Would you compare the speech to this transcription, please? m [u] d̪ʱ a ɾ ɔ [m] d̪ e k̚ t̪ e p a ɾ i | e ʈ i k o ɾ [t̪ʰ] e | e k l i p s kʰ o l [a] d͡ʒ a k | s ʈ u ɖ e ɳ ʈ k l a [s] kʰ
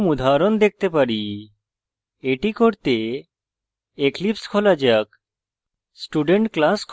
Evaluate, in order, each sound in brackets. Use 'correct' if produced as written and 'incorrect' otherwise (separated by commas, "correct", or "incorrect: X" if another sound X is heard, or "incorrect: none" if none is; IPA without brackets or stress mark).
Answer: correct, incorrect: n, incorrect: t̪, correct, correct